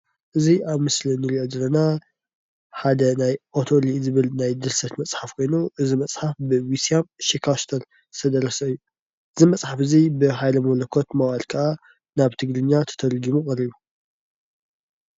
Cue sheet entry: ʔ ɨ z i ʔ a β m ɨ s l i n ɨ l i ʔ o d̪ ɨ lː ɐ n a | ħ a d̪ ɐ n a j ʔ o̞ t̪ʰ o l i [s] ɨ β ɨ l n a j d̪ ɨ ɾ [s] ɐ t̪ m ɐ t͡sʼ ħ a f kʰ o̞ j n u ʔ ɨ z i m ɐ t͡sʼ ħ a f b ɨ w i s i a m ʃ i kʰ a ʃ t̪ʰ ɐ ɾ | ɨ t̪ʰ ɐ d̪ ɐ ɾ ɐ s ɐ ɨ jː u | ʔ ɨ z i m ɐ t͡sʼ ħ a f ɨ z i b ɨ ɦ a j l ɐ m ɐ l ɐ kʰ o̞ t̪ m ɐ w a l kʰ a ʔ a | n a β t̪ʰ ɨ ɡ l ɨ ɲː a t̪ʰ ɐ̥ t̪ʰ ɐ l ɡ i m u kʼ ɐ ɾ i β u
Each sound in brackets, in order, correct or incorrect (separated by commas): incorrect, correct